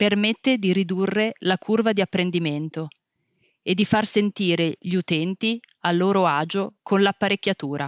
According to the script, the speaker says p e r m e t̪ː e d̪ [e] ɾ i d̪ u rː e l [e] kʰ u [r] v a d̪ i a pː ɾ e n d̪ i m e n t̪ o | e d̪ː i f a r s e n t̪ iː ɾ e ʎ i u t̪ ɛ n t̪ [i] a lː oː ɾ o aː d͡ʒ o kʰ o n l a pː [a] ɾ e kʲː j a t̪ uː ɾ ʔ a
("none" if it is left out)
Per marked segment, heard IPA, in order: i, a, r, i, a

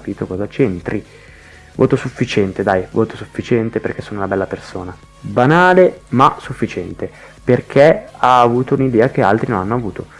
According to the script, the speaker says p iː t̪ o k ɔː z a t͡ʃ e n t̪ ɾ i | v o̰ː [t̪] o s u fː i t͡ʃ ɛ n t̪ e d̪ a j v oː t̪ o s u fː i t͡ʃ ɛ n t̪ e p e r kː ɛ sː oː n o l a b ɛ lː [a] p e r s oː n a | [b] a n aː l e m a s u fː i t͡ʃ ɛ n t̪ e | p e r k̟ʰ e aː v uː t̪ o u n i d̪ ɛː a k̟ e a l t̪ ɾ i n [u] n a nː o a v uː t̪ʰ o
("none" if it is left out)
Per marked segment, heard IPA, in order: t̪, a, b, o

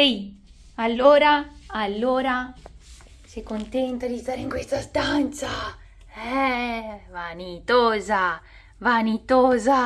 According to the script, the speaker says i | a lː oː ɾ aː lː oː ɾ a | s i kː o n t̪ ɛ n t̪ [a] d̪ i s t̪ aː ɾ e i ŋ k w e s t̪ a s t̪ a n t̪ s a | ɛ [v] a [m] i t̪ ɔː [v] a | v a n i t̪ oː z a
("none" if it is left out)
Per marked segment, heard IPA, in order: a, v, n, z

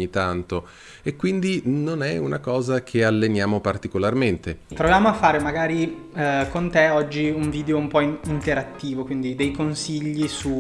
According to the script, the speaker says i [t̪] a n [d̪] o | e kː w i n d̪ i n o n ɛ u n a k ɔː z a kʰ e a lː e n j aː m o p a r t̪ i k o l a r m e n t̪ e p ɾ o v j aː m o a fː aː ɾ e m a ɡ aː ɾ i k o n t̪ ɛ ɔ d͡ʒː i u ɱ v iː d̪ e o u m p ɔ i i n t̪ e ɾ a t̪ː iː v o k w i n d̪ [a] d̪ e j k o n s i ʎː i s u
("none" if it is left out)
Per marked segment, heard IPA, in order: t̪, t̪, i

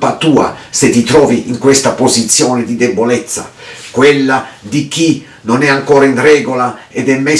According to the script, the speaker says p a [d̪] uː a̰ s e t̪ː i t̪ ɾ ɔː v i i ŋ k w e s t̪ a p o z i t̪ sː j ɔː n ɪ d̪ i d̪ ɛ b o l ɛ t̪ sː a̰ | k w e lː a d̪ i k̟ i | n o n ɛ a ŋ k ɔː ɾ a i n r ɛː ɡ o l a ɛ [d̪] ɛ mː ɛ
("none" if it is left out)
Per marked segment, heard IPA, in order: t̪, d̪

